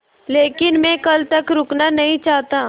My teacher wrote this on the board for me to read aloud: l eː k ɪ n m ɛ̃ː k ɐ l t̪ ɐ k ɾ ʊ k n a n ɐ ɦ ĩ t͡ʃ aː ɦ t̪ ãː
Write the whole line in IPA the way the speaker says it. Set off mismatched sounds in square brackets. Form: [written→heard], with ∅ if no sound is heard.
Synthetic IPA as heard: l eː k ɪ n m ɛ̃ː k ɐ l t̪ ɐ k ɾ ʊ k n a n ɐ ɦ ĩ t͡ʃ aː ɦ t̪ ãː